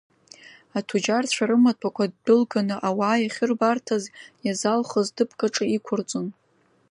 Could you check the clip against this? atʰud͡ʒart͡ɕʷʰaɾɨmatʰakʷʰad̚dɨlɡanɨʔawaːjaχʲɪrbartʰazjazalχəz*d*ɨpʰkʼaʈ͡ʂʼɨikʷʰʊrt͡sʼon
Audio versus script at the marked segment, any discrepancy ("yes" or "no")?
no